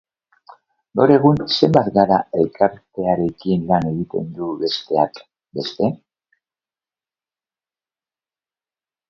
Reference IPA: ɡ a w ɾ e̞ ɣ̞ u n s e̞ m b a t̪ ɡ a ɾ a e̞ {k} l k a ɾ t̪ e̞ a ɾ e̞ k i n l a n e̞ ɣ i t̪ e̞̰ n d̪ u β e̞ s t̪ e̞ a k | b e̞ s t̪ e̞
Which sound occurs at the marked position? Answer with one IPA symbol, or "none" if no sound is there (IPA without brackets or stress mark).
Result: none